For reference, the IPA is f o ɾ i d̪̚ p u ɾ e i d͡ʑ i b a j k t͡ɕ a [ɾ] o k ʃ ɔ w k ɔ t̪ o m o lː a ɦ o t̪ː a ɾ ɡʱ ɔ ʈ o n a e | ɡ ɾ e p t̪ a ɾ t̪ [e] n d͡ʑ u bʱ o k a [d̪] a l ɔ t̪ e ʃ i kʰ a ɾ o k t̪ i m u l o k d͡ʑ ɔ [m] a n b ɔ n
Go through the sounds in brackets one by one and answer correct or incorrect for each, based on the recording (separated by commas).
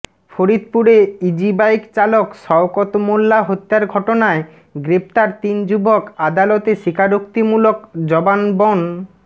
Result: incorrect, incorrect, correct, incorrect